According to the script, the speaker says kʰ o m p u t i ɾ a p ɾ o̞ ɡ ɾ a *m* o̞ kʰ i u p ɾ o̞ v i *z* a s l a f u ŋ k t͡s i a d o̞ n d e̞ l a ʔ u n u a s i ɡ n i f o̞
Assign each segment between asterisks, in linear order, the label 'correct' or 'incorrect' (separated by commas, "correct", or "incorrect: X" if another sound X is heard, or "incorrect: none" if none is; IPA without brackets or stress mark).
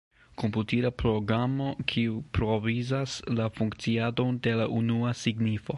correct, correct